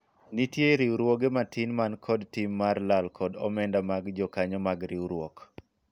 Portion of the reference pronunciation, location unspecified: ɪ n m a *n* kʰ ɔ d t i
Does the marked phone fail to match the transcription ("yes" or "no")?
no